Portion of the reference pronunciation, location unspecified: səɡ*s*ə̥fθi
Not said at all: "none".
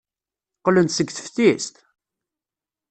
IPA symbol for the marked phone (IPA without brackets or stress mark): θ